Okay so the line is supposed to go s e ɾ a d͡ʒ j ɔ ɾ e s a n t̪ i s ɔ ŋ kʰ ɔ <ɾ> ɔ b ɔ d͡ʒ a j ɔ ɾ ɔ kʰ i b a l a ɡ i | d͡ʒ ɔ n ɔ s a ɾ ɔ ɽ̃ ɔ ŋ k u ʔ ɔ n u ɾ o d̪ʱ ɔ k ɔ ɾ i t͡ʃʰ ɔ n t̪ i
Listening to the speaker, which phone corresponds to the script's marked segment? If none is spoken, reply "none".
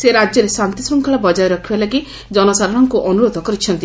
ɭ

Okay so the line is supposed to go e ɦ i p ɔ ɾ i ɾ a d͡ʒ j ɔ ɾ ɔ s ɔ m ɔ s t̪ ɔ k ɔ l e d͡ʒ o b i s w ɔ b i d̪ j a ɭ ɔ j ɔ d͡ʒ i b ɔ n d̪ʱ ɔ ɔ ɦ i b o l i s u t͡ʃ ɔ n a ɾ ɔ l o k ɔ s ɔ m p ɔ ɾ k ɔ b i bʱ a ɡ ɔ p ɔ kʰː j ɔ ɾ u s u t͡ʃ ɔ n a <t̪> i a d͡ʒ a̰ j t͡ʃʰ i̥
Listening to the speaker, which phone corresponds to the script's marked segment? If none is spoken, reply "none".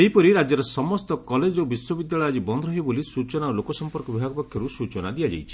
d̪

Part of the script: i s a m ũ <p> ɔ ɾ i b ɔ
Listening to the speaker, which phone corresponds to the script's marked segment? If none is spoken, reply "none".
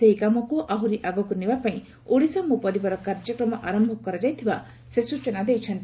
p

